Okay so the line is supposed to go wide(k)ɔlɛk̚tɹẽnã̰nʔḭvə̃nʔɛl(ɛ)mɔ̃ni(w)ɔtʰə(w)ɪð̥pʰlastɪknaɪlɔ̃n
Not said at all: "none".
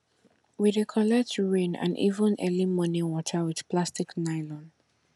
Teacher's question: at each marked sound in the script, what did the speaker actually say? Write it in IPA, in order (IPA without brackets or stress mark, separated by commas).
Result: kʰ, i, w, w